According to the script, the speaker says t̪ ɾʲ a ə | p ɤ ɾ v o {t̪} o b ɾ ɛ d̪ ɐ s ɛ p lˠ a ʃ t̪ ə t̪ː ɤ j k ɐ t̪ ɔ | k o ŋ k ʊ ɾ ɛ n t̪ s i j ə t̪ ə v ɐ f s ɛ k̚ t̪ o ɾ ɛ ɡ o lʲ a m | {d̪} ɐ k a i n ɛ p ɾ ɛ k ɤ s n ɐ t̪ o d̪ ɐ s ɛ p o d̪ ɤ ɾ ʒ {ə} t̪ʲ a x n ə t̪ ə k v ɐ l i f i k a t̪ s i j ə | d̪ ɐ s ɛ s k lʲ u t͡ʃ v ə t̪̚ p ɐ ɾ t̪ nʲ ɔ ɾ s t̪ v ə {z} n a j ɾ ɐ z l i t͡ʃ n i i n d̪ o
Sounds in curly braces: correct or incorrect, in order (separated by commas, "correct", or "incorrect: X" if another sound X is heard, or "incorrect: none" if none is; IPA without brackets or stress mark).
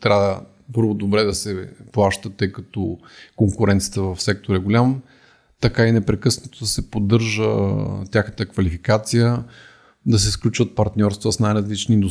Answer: incorrect: d̪, incorrect: t̪, correct, incorrect: s